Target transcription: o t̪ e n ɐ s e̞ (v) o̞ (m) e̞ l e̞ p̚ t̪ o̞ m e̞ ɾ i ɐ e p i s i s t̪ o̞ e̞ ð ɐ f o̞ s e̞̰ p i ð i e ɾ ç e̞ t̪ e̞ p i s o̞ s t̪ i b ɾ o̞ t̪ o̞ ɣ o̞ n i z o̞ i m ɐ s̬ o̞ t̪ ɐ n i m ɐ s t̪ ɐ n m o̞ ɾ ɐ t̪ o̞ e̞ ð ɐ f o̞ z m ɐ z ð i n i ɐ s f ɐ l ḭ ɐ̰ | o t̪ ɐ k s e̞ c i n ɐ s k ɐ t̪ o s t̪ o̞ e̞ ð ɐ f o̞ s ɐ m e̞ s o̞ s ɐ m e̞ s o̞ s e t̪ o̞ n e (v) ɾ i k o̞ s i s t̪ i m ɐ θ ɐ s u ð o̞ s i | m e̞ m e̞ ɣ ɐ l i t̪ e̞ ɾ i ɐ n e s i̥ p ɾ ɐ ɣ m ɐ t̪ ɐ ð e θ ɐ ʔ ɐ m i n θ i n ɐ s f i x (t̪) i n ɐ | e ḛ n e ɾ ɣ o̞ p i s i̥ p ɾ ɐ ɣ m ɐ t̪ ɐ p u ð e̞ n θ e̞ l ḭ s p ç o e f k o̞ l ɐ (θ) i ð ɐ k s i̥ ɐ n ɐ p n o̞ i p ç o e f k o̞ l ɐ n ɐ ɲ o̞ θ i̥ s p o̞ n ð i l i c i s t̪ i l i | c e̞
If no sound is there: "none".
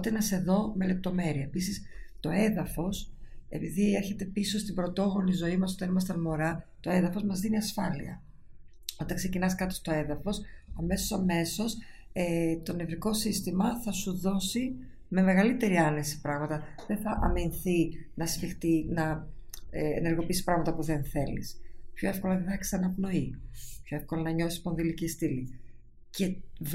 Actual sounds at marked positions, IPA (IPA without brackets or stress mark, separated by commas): ð, m, v, t̪, ð